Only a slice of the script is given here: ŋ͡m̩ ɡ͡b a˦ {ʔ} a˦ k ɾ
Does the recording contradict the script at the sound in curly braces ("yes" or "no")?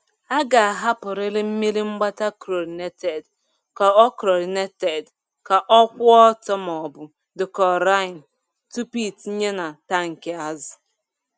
yes